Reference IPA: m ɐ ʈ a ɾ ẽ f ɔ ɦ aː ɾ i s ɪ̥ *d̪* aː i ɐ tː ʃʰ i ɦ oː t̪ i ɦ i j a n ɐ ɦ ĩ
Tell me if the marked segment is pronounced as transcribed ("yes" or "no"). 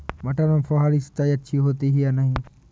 no